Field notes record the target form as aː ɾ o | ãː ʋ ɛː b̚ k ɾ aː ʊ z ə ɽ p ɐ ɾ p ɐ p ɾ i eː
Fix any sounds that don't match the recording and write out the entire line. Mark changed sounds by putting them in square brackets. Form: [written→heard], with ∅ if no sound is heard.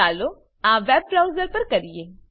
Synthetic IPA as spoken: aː [ɾ→l] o | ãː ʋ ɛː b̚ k ɾ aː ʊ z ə [ɽ→ɾ] p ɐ ɾ [p→k] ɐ [p→∅] ɾ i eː